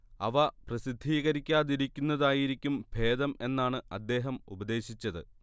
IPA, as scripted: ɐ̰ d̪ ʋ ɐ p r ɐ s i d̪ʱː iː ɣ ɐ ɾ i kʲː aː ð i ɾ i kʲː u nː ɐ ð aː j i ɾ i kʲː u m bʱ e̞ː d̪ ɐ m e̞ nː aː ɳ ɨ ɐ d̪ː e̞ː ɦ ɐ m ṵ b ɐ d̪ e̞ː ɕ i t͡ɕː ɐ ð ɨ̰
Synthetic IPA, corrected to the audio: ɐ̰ ʋ ɐ p r ɐ s i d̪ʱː iː ɣ ɐ ɾ i kʲː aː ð i ɾ i kʲː u nː ɐ ð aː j i ɾ i kʲː u m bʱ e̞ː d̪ ɐ m e̞ nː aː ɳ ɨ ɐ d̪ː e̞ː ɦ ɐ m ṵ b ɐ d̪ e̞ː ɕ i t͡ɕː ɐ ð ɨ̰